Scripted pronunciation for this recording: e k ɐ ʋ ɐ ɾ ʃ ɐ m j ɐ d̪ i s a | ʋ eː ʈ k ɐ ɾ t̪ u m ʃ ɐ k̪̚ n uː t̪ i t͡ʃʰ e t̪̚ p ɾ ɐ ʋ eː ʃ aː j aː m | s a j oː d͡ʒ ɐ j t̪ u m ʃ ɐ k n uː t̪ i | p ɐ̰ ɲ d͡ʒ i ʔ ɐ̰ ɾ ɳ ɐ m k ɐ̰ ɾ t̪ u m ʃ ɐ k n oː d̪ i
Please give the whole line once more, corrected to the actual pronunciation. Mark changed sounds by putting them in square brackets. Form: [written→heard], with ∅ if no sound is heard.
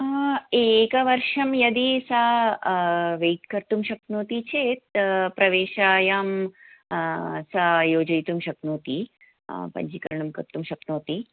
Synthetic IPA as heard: e k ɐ ʋ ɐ ɾ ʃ ɐ m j ɐ d̪ i s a | ʋ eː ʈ k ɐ ɾ t̪ u m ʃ ɐ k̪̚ n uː t̪ i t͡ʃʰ e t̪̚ p ɾ ɐ ʋ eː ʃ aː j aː m | s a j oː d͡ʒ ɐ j t̪ u m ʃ ɐ k n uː t̪ i | p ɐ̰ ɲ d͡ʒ i [ʔ→k] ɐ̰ ɾ ɳ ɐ m k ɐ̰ ɾ t̪ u m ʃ ɐ k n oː [d̪→t̪] i